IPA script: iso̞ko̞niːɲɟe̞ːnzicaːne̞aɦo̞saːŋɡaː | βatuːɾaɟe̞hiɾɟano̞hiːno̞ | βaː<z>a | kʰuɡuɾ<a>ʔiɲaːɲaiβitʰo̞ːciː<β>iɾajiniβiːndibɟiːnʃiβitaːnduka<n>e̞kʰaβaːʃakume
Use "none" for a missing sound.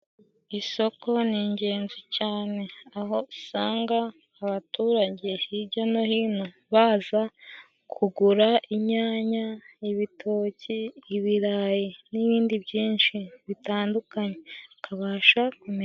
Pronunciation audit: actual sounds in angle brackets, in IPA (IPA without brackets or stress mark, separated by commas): z, a, β, ɲ